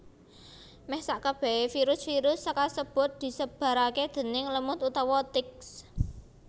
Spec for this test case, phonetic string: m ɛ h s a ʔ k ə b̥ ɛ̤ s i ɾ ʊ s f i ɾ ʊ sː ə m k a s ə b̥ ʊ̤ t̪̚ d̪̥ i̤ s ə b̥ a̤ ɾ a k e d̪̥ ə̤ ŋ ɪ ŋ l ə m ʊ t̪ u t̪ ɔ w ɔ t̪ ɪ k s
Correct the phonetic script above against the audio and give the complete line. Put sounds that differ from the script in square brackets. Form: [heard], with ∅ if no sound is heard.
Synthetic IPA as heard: m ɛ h s a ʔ k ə b̥ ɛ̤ [f] i ɾ ʊ s f i ɾ ʊ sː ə [∅] k a s ə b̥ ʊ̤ t̪̚ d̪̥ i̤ s ə b̥ a̤ ɾ a k e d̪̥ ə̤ [n] ɪ ŋ l ə m ʊ t̪ u t̪ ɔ w ɔ t̪ ɪ k s